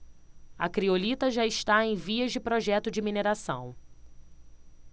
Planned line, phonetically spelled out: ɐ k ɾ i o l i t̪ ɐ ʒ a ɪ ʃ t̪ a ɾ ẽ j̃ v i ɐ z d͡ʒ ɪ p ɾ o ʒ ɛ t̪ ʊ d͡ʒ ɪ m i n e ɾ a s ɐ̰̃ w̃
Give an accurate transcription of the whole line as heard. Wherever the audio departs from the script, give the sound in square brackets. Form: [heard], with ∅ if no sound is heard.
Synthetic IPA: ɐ k ɾ i o l i t̪ ɐ ʒ a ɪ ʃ t̪ a [∅] ẽ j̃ v i ɐ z d͡ʒ ɪ p ɾ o ʒ ɛ t̪ ʊ d͡ʒ ɪ m i n e ɾ a s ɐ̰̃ w̃